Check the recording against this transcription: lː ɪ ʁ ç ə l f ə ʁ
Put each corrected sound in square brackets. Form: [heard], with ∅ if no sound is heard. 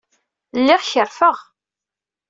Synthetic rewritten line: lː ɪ ʁ ç ə [ɾ] f ə ʁ